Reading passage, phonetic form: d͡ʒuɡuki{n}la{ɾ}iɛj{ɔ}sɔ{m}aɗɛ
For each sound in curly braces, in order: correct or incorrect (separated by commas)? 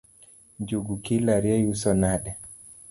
incorrect, correct, incorrect, incorrect